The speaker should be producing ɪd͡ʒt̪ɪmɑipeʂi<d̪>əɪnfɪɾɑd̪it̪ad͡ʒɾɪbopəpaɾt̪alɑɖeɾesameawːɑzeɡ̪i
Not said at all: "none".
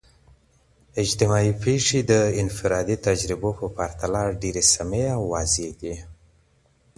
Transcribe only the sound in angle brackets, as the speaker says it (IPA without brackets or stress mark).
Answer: d̪